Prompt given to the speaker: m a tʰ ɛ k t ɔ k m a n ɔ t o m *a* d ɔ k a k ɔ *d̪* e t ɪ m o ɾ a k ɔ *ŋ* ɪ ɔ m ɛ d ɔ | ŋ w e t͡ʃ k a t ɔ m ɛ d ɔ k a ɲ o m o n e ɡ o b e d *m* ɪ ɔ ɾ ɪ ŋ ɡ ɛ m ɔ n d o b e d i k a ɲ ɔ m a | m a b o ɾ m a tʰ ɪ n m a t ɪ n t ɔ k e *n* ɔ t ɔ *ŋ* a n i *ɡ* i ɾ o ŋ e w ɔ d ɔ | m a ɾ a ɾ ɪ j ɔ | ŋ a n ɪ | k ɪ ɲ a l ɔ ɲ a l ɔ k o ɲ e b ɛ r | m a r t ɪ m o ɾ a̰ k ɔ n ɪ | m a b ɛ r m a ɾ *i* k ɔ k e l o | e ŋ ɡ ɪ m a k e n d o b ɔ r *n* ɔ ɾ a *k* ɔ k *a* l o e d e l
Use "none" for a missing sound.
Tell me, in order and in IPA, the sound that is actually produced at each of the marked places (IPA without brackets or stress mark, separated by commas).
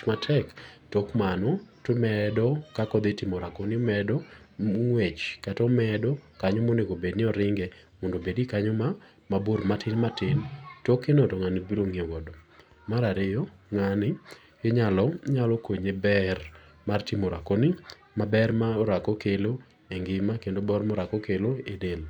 ɛ, d̪, n, n, n, ŋ, b, a, m, k, e